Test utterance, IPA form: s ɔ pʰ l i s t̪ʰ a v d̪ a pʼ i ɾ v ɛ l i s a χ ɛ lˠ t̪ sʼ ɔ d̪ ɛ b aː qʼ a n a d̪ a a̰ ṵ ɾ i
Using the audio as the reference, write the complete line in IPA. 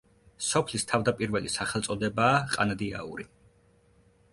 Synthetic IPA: s ɔ pʰ l i s t̪ʰ a v d̪ a pʼ i ɾ v ɛ l i s a χ ɛ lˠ t̪ sʼ ɔ d̪ ɛ b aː qʼ a n a d̪ i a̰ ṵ ɾ i